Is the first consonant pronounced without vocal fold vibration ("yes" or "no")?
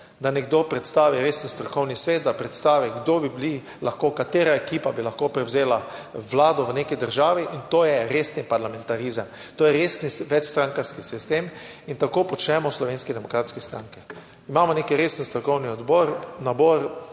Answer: no